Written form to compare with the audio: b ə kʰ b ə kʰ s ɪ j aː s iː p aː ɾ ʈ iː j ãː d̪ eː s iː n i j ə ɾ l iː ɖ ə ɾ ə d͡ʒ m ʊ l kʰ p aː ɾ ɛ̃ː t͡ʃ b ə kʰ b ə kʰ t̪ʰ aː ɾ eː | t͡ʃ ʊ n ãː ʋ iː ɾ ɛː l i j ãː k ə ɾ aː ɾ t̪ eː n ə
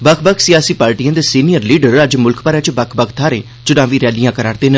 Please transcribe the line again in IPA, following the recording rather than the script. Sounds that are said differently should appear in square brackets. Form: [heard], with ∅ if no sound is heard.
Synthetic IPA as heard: b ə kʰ b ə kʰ s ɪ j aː s iː p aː ɾ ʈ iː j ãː d̪ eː s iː n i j ə ɾ l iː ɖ ə ɾ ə d͡ʒ m ʊ l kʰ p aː ɾ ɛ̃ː t͡ʃ b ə kʰ b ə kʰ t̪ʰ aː ɾ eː | t͡ʃ ʊ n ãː ʋ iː ɾ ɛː l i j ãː k ə ɾ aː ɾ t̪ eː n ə